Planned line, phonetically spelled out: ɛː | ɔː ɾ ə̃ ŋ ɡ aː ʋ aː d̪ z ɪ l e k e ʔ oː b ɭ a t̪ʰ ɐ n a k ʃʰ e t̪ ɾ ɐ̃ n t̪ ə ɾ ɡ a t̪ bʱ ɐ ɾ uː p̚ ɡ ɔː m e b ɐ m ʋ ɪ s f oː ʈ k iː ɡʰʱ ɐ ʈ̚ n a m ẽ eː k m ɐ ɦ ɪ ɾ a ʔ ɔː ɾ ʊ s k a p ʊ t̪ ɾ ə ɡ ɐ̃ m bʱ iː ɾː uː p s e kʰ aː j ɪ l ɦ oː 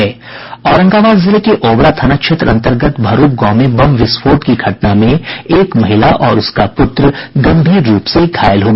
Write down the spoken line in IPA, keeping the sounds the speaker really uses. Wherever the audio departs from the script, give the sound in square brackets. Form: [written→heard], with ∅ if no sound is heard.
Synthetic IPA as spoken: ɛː | ɔː ɾ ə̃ ŋ ɡ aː ʋ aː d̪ z ɪ l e k e ʔ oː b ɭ a t̪ʰ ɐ n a k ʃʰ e t̪ ɾ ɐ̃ n t̪ ə ɾ ɡ [a→ə] t̪ bʱ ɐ ɾ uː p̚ ɡ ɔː m e b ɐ m ʋ ɪ s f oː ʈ k [iː→i] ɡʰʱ ɐ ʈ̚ n a m ẽ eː k m ɐ ɦ ɪ [ɾ→l] a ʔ ɔː ɾ ʊ s k a p ʊ t̪ ɾ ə ɡ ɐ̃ m bʱ iː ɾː uː p s e kʰ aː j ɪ l ɦ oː